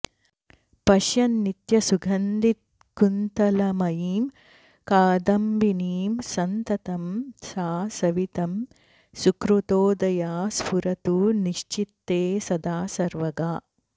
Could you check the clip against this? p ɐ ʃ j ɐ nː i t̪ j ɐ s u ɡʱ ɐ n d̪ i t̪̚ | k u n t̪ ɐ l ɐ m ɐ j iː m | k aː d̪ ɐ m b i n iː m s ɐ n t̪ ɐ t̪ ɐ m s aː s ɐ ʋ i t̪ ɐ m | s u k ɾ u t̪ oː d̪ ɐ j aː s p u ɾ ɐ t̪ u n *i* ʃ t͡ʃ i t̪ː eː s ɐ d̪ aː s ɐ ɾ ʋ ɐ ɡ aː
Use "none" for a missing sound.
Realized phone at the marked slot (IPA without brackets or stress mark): i